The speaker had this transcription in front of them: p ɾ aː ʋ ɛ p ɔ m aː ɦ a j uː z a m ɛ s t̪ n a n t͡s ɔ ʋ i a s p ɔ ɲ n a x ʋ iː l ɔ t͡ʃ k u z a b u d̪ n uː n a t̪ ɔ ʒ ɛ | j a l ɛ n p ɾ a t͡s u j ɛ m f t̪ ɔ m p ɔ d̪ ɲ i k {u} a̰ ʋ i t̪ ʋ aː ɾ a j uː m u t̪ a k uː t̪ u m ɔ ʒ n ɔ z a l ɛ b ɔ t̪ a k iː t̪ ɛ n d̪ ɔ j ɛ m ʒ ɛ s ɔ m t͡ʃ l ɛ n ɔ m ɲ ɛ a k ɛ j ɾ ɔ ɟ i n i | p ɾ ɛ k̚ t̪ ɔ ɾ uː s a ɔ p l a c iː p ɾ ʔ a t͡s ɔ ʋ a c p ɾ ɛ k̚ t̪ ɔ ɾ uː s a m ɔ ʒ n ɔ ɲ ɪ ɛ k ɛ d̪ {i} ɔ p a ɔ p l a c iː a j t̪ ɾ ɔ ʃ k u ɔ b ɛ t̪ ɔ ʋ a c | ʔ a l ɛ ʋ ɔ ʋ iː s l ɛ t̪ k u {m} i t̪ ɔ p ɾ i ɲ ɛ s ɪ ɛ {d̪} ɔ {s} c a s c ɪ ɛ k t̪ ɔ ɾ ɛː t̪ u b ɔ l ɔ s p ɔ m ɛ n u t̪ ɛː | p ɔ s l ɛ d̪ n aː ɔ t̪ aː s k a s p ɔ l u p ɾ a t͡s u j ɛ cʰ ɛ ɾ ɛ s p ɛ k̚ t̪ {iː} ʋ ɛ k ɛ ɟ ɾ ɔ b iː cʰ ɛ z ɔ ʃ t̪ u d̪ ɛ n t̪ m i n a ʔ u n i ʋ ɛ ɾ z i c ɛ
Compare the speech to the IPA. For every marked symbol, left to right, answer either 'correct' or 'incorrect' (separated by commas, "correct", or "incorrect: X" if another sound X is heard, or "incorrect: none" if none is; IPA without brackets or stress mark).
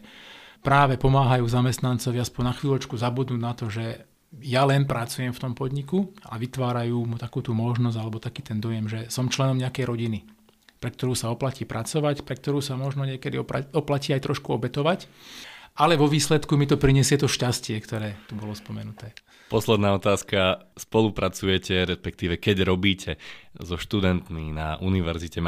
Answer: correct, correct, correct, incorrect: t̪, incorrect: ʃ, correct